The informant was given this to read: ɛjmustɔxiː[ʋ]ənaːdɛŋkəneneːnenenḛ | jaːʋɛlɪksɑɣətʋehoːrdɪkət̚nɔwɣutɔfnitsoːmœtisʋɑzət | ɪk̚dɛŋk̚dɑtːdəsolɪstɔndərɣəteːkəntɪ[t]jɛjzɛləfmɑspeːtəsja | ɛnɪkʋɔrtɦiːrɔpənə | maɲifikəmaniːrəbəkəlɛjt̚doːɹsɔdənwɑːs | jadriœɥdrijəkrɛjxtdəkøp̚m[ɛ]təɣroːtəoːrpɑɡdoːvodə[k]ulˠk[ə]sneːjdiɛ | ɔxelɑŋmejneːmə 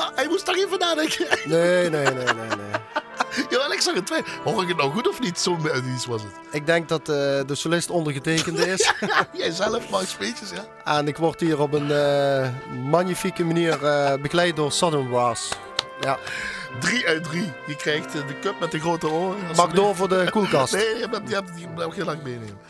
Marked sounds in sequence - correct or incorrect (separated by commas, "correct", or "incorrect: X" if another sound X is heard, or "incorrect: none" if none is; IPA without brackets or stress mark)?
incorrect: v, incorrect: s, correct, correct, incorrect: ɑ